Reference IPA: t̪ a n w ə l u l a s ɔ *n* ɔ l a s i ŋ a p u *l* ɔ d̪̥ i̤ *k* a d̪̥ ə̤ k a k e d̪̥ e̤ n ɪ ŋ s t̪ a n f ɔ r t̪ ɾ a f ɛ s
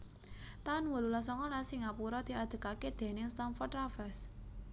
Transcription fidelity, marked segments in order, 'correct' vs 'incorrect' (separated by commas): incorrect, incorrect, incorrect